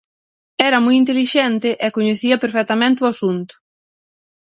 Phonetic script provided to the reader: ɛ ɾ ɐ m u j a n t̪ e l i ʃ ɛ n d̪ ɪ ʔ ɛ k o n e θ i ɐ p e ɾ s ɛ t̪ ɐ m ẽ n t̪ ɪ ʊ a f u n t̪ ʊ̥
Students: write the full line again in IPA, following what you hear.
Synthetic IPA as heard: ɛ ɾ ɐ m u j i n t̪ e l i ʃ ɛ n t̪ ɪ ʔ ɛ k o ɲ e θ i ɐ p e ɾ f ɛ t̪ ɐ m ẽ n t̪ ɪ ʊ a s u n t̪ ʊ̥